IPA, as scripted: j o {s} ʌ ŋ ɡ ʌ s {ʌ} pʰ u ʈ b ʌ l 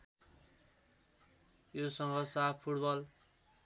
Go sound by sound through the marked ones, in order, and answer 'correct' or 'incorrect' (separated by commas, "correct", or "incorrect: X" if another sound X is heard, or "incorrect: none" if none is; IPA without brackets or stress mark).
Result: correct, incorrect: a